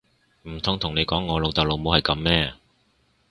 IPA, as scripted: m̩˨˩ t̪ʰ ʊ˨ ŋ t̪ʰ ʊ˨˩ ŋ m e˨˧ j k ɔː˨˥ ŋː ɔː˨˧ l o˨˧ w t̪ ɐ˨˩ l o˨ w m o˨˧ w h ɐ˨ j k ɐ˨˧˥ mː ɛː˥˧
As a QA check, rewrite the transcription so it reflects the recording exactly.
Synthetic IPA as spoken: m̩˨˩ t̪ʰ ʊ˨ ŋ t̪ʰ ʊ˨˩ ŋ n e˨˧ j k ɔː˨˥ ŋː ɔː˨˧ l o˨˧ w t̪ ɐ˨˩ l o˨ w m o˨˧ w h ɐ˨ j k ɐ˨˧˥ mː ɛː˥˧